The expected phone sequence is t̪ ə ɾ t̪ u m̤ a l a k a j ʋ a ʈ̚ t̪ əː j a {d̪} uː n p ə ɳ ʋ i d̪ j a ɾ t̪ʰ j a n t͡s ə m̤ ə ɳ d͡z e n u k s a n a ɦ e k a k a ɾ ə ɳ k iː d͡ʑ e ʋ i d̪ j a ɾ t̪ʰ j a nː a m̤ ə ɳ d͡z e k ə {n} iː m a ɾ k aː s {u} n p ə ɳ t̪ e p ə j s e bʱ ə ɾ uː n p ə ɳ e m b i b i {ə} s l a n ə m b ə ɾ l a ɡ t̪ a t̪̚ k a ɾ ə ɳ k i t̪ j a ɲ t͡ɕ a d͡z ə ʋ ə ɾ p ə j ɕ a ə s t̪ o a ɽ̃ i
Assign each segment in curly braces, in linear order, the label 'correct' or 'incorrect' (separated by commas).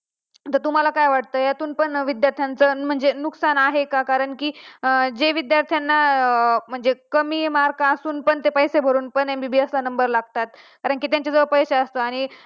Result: incorrect, incorrect, incorrect, correct